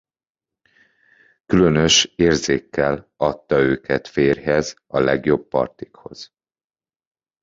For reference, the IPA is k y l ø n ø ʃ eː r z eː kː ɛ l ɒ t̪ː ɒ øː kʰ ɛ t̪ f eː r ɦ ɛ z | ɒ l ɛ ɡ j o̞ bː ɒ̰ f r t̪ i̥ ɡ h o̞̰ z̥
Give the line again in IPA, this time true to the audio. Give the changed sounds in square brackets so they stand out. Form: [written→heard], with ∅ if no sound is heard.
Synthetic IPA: k y l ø n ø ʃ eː r z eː kː ɛ l ɒ t̪ː ɒ øː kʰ ɛ t̪ f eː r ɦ ɛ z | ɒ l ɛ ɡ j o̞ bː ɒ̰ [f→∅] r t̪ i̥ [ɡ→k] h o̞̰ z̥